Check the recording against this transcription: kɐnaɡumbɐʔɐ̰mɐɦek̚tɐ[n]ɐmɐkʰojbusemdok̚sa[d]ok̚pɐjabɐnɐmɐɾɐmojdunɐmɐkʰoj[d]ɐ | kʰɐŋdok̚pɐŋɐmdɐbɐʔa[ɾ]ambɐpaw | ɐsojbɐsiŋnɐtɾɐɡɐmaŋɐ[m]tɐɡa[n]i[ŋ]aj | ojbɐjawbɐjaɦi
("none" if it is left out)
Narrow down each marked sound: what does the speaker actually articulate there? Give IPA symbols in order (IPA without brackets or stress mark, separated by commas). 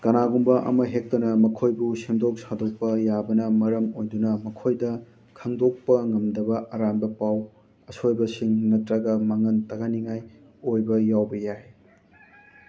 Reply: n, d, d, ɾ, n, n, ŋ